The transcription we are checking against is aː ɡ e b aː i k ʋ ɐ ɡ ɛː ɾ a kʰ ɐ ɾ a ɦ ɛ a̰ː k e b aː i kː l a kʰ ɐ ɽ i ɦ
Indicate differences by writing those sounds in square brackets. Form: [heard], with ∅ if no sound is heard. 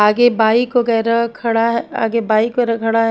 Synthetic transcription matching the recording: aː ɡ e b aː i k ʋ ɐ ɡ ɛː ɾ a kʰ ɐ [ɽ] a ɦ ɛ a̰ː [ɡ] e b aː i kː [ɾ] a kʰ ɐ ɽ [a] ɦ